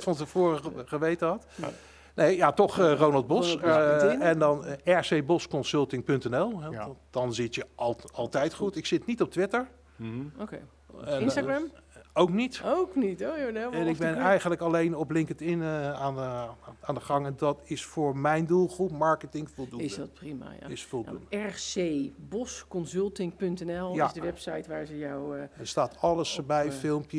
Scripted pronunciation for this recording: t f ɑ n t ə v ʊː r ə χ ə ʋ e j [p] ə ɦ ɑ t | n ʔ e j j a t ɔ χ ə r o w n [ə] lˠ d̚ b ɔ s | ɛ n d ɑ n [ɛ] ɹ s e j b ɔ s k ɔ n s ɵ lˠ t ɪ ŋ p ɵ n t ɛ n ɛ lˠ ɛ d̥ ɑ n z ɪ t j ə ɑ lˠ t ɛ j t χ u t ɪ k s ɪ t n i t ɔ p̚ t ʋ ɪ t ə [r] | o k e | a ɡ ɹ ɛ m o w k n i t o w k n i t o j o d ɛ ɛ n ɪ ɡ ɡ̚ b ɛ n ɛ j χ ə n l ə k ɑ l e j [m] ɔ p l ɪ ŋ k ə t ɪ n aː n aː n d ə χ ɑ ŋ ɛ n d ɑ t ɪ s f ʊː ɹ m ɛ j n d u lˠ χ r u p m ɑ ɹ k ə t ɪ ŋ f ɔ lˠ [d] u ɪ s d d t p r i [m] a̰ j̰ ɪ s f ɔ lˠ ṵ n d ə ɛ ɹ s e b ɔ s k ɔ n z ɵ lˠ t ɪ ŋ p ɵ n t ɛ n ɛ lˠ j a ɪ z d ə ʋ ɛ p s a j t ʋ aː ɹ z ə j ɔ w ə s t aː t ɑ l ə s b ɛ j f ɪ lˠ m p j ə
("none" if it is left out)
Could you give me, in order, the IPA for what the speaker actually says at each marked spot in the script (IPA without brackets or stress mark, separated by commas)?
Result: t, ɑ, ɛ, ɹ, n, d, m